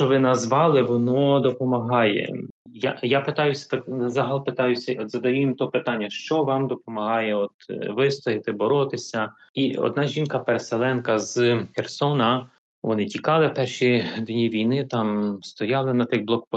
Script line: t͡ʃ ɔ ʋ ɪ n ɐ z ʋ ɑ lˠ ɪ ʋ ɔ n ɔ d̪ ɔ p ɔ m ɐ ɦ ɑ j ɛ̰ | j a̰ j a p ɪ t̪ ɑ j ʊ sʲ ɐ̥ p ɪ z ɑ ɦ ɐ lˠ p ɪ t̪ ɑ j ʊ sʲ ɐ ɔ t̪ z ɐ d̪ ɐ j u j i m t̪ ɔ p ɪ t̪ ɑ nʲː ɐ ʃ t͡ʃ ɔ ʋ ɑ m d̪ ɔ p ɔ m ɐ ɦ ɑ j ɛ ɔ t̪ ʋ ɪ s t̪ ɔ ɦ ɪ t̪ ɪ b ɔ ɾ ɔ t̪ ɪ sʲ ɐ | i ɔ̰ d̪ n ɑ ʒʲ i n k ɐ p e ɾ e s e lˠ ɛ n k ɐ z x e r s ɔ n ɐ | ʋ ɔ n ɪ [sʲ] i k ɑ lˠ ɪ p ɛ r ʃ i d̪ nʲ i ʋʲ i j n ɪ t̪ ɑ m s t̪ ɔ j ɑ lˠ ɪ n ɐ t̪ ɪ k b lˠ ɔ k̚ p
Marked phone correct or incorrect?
incorrect